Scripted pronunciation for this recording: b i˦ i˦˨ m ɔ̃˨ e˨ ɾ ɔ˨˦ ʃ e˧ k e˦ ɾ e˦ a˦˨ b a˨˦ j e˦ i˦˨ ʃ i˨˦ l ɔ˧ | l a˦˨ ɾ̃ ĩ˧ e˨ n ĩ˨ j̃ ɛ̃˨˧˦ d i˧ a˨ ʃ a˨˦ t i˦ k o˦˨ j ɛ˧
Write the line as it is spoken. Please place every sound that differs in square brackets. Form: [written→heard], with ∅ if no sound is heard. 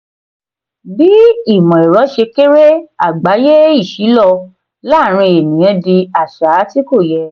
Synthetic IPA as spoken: b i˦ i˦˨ m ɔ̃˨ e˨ ɾ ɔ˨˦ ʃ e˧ k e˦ ɾ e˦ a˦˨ [b→ɡ͡b] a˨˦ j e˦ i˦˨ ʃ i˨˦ l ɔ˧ | l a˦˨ ɾ̃ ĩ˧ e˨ n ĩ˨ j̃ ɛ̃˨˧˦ d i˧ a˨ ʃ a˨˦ t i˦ k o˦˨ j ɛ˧

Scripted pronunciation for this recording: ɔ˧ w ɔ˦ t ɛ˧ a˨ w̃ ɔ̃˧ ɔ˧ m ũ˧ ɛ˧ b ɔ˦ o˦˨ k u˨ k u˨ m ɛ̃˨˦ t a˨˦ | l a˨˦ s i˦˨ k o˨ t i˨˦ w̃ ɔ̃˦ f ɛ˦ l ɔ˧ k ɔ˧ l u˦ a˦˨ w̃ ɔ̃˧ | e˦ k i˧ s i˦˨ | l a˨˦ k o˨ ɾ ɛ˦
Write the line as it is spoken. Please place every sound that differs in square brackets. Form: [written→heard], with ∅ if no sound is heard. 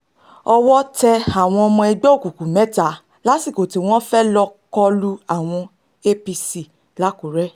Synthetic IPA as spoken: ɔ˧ w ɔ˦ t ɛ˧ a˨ w̃ ɔ̃˧ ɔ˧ m [ũ˧→ɔ̃˧] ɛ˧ [b→ɡ͡b] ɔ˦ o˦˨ k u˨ k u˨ m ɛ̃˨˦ t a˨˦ | l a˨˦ s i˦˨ k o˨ t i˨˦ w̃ ɔ̃˦ f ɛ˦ l ɔ˧ k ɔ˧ l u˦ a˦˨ w̃ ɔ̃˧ | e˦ [k→p] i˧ s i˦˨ | l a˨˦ k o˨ ɾ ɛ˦

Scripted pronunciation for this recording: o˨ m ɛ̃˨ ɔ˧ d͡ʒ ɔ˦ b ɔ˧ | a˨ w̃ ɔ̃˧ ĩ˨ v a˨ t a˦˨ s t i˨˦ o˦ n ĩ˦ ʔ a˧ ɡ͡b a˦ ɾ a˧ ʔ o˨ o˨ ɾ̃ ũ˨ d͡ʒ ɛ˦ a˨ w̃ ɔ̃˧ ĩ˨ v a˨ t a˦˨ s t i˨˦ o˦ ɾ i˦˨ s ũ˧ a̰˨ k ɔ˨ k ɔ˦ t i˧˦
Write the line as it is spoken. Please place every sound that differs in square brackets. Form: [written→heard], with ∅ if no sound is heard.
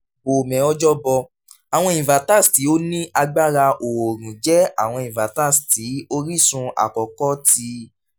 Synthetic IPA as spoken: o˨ m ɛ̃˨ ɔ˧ d͡ʒ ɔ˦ b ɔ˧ | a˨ w̃ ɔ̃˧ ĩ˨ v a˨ t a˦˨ s t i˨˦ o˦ n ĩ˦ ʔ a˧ ɡ͡b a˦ ɾ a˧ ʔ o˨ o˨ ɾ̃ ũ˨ d͡ʒ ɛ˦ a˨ w̃ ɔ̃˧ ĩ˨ v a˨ t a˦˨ s t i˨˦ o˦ ɾ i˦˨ s ũ˧ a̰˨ k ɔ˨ k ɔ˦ t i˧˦

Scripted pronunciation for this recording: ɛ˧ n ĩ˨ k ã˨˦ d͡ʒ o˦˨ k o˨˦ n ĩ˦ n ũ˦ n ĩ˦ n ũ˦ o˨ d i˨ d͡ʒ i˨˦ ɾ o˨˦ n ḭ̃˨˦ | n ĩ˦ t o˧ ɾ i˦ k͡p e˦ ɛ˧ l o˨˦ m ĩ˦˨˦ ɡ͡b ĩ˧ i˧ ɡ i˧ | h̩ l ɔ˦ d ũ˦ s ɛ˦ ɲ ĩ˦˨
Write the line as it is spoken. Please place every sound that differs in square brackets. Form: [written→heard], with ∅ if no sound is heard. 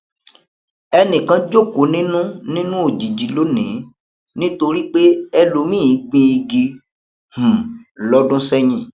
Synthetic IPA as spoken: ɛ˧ n ĩ˨ k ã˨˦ d͡ʒ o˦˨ k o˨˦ n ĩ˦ n ũ˦ n ĩ˦ n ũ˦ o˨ [d→d͡ʒ] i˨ d͡ʒ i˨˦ [ɾ→l] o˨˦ n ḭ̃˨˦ | n ĩ˦ t o˧ ɾ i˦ k͡p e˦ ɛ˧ l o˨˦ m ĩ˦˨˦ ɡ͡b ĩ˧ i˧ ɡ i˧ | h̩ l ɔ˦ d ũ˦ s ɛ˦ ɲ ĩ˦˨

